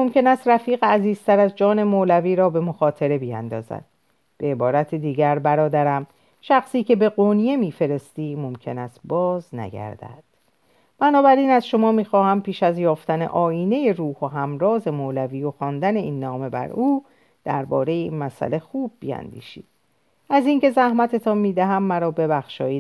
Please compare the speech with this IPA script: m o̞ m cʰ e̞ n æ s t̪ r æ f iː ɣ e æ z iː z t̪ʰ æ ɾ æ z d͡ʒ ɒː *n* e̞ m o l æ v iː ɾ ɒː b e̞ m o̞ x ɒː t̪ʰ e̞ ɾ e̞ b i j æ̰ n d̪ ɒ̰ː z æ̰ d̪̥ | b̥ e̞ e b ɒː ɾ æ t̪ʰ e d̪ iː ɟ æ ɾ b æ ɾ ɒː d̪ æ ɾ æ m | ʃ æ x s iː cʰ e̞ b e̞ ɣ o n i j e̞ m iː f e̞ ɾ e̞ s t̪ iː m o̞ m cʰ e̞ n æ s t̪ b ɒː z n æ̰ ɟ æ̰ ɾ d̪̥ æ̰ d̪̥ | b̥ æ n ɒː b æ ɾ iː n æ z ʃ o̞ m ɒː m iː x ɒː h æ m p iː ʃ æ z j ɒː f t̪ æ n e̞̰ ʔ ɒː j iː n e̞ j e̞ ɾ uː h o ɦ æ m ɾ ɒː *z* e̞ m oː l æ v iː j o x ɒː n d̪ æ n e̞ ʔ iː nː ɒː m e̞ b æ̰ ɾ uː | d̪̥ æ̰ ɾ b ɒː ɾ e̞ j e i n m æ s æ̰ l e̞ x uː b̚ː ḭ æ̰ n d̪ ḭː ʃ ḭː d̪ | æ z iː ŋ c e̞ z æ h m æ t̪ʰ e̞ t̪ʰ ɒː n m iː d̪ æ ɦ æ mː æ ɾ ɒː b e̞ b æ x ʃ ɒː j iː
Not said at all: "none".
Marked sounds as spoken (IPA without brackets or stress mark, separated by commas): n, z